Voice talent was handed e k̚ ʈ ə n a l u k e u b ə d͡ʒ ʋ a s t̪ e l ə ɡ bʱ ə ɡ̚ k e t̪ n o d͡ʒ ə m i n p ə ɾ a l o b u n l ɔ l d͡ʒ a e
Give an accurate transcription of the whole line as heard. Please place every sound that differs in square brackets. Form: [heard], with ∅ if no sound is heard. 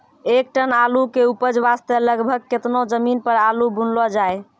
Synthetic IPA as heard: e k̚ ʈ ə n a l u k e u [p] ə d͡ʒ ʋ a s t̪ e l ə ɡ bʱ ə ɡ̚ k e t̪ n o d͡ʒ ə m i n p ə ɾ a l [u] b u n l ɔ [∅] d͡ʒ a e